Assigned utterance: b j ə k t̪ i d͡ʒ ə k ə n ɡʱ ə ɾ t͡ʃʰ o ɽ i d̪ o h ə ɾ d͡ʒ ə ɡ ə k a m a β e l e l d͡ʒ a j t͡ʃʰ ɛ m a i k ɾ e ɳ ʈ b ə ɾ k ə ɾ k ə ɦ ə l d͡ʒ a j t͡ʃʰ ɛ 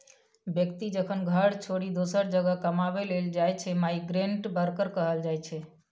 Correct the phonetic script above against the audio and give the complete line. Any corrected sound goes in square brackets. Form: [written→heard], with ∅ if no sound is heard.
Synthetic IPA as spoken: b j ə k t̪ i d͡ʒ ə [k→kʰ] ə n ɡʱ ə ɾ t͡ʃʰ o ɽ i d̪ o [h→s] ə ɾ d͡ʒ ə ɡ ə k [a→ə] m a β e l e l d͡ʒ a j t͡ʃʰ ɛ m a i [k→ɡ] ɾ e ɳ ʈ b ə ɾ k ə ɾ k ə ɦ ə l d͡ʒ a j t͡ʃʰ ɛ